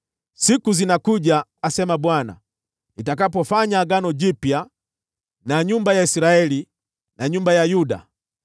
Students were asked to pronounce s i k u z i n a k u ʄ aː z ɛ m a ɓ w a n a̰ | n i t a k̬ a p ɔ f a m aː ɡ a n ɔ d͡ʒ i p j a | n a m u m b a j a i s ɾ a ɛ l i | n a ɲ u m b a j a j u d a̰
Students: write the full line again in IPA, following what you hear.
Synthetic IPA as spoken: s i k u z i n a k u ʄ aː s ɛ m a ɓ w a n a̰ | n i t a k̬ a p ɔ f a ɲ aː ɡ a n ɔ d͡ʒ i p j a | n a ɲ u m b a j a i s ɾ a ɛ l i | n a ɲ u m b a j a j u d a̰

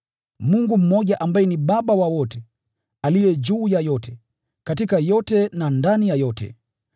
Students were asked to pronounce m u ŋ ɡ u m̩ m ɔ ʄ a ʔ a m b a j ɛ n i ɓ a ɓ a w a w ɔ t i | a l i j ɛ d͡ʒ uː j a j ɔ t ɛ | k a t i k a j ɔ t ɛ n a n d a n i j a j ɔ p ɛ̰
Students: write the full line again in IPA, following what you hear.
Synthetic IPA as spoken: m u ŋ ɡ u m̩ m ɔ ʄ a ʔ a m b a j ɛ n i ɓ a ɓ a w a w ɔ t ɛ | a l i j ɛ d͡ʒ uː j a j ɔ t ɛ | k a t i k a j ɔ t ɛ n a n d a n i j a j ɔ t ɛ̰

